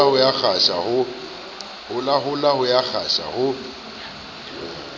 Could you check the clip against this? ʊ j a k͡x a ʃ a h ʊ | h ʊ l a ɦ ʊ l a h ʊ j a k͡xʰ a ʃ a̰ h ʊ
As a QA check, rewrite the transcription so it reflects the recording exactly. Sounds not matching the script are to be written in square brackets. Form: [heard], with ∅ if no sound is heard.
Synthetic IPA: ʊ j a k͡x a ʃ a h ʊ | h ʊ l a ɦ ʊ l a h ʊ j a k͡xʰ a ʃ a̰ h ʊ